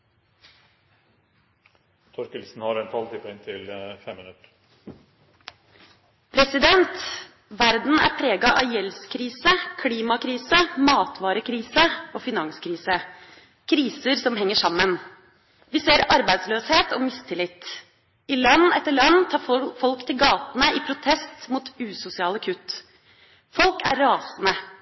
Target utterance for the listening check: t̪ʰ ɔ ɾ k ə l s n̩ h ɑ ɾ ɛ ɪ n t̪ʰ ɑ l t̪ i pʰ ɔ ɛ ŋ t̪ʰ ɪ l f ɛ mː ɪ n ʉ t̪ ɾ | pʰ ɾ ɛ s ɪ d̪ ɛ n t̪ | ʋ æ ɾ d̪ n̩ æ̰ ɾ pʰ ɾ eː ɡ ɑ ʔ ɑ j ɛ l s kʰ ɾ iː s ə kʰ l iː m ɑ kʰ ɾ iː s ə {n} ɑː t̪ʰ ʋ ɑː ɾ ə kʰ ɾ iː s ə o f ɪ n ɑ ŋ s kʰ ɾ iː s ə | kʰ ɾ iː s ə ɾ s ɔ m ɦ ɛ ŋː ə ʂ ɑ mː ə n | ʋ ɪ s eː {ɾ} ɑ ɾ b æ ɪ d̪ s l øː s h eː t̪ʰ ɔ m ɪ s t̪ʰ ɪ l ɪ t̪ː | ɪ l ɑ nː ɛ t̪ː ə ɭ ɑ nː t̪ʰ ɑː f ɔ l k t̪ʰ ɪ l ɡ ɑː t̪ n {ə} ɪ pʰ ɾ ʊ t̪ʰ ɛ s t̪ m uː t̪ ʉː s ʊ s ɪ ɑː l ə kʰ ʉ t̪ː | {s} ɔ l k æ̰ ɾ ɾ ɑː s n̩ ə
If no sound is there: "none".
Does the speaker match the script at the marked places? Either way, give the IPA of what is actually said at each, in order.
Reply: m, ɾ, ə, f

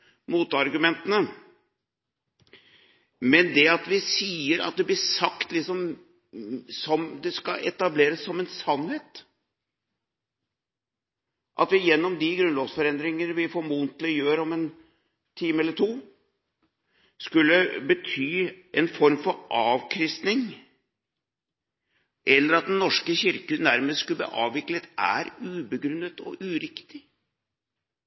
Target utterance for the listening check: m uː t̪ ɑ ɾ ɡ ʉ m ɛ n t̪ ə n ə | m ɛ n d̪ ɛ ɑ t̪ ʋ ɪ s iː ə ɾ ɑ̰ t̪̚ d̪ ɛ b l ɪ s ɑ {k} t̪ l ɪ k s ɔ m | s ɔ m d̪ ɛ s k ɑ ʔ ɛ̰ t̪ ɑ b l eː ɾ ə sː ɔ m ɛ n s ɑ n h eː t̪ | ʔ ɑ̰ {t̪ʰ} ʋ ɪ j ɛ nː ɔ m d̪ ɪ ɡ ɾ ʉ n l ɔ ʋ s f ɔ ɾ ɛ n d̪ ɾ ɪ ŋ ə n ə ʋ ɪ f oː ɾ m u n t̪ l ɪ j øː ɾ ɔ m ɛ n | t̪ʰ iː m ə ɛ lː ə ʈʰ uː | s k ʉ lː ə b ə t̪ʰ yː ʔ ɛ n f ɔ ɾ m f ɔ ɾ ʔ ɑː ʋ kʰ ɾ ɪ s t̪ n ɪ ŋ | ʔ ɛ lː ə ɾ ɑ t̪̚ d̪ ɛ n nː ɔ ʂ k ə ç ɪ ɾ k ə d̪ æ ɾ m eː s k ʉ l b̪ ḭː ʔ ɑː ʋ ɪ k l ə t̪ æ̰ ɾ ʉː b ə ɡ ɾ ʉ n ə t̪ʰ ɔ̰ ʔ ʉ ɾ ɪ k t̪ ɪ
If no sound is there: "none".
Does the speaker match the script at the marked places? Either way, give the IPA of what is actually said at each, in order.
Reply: k, t̪

